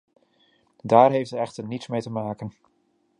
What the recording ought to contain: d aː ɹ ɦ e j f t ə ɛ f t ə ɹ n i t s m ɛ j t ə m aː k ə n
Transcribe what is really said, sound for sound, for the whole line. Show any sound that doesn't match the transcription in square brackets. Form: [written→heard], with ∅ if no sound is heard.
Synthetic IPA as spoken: d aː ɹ ɦ e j f t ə ɛ [f→χ] t ə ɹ n i t s m [ɛ→e] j t ə m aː k ə n